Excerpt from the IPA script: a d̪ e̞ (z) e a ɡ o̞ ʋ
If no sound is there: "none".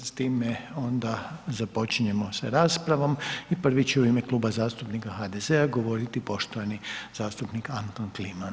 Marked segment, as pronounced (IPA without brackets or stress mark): z